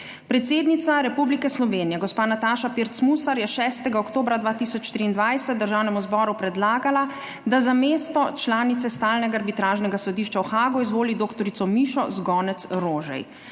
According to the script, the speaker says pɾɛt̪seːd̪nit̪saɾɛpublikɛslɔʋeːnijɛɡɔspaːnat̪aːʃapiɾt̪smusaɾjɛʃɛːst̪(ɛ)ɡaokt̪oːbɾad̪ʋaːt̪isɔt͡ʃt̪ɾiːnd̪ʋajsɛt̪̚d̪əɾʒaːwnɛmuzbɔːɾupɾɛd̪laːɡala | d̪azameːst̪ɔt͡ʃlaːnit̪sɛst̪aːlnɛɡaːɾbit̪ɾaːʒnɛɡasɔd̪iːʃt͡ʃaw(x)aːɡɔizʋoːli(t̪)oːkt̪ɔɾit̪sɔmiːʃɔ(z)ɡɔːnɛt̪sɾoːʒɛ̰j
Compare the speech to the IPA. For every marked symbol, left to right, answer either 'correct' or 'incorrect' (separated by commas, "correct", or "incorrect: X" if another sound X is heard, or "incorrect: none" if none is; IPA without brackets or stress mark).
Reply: correct, correct, incorrect: d̪, correct